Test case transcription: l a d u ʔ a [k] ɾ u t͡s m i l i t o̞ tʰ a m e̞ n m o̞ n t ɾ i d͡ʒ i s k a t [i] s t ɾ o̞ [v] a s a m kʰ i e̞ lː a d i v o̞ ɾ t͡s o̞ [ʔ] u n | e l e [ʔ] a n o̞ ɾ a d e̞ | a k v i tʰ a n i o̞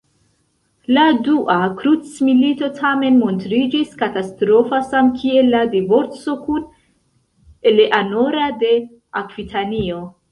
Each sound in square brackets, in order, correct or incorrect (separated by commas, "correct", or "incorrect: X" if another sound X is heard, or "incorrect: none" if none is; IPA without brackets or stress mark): correct, incorrect: a, incorrect: f, incorrect: k, correct